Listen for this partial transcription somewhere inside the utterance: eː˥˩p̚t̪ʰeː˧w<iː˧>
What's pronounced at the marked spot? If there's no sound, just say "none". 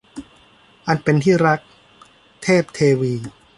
iː˧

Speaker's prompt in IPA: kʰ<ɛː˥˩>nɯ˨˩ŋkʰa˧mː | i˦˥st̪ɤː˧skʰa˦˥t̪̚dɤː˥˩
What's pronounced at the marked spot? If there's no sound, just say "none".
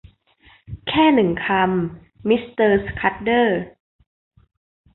ɛː˥˩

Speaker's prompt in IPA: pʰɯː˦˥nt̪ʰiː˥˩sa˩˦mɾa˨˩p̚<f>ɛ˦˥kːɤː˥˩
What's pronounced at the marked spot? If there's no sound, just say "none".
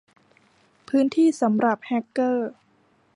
h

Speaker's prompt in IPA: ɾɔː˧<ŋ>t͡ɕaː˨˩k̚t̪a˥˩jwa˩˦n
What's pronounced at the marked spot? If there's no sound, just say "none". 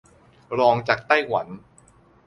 ŋ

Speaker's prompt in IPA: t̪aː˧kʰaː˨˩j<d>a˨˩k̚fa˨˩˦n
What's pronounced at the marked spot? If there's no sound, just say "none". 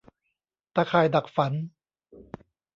d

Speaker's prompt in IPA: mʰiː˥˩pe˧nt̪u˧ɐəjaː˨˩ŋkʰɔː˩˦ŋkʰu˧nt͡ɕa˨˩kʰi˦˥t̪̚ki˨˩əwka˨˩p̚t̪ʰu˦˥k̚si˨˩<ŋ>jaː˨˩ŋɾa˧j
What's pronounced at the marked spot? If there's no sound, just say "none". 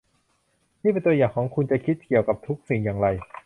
ŋ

